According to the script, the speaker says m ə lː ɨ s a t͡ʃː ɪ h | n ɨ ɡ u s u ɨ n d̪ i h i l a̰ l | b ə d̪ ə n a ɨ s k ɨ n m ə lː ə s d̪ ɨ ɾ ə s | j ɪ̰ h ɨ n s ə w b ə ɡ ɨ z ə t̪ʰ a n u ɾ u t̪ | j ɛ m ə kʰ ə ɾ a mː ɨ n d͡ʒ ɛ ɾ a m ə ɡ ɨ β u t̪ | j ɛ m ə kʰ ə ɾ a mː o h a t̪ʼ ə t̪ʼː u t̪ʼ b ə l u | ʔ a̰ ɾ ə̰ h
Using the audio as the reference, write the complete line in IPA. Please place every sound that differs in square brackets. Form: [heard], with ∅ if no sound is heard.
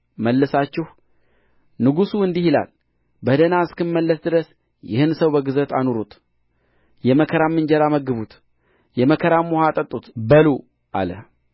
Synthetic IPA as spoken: m ə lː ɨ s a t͡ʃː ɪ h | n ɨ ɡ u s u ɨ n d̪ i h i l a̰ l | b ə d̪ ə n a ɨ s k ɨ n m ə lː ə s d̪ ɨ ɾ ə s | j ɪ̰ h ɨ n s ə w b ə ɡ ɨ z ə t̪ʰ a n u ɾ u t̪ | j ɛ m ə kʰ ə ɾ a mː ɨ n d͡ʒ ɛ ɾ a m ə ɡ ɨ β u t̪ | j ɛ m ə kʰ ə ɾ a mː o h a t̪ʼ ə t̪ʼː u [t̪] b ə l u | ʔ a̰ [l] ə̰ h